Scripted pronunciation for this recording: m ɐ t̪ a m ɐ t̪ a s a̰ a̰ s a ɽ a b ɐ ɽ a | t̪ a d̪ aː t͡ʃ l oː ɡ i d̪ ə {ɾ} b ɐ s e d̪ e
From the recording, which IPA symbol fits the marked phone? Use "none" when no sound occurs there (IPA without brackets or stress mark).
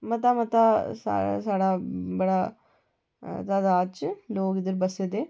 ɾ